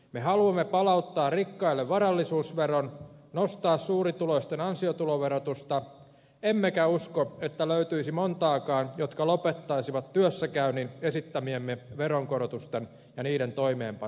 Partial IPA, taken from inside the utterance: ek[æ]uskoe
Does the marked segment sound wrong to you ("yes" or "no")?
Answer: no